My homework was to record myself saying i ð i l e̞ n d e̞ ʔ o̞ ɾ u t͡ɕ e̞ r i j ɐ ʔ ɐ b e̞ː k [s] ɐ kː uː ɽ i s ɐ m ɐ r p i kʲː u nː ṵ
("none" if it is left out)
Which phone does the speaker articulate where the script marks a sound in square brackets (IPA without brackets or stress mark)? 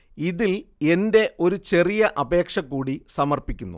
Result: ʂ